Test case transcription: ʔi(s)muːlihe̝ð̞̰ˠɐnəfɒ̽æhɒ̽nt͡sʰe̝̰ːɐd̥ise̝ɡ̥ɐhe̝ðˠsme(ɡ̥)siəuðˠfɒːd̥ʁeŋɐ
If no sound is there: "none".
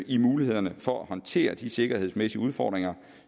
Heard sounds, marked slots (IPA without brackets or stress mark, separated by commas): none, none